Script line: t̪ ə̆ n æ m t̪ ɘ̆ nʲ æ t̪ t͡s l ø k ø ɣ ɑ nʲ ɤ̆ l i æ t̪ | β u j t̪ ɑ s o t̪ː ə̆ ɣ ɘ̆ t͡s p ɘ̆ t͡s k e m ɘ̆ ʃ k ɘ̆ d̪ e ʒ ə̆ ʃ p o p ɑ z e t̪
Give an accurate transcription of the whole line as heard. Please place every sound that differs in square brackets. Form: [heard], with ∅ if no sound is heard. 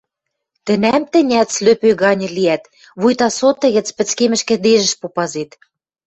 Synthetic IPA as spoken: t̪ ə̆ n æ m t̪ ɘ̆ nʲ æ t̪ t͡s l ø [p] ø ɣ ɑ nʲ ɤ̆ l i æ t̪ | β u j t̪ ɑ s o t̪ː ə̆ ɣ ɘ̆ t͡s p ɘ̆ t͡s k e m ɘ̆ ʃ k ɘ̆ d̪ e ʒ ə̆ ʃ p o p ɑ z e t̪